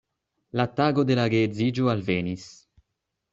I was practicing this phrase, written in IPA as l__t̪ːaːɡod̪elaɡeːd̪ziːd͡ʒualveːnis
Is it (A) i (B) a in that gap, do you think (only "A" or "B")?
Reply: B